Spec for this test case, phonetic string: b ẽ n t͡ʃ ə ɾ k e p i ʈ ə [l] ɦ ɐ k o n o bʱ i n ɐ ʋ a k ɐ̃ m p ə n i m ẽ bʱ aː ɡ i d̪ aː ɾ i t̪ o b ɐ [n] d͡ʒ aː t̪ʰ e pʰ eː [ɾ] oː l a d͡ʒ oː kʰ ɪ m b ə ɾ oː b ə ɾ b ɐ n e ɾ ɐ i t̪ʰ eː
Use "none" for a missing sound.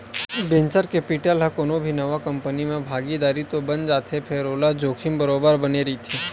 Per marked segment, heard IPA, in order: l, n, ɾ

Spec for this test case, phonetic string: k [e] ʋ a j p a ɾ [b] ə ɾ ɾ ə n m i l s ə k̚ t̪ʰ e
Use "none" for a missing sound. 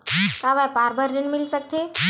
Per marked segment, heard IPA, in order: a, b

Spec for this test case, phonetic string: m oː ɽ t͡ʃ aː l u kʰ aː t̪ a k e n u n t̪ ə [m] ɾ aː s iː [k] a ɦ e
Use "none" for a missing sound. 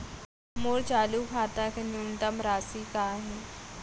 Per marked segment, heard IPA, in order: m, k

